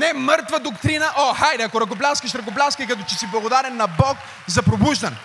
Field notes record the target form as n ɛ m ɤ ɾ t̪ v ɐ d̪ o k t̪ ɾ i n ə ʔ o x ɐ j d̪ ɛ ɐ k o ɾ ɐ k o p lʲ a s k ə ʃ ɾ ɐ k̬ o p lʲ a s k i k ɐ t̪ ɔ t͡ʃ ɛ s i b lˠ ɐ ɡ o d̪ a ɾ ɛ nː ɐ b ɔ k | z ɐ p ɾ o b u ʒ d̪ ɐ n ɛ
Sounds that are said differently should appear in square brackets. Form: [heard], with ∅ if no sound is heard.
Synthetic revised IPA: n ɛ m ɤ ɾ t̪ v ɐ d̪ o k t̪ ɾ i n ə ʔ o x [a] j d̪ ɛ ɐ k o ɾ ɐ k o p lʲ a s k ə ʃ ɾ ɐ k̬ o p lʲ a s k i k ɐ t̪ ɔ t͡ʃ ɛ s i b lˠ ɐ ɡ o d̪ a ɾ ɛ nː ɐ b ɔ k | z ɐ p ɾ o b u ʒ d̪ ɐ n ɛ